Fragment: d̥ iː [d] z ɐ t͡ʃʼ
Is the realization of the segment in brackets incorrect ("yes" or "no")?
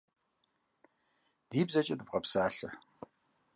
yes